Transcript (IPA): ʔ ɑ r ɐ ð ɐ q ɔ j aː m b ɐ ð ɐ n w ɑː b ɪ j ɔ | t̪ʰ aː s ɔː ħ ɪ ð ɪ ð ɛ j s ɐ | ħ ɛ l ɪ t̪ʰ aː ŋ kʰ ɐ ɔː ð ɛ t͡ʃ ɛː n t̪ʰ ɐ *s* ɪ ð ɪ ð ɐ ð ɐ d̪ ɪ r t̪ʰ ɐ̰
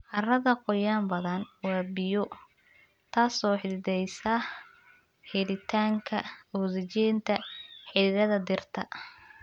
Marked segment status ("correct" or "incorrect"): incorrect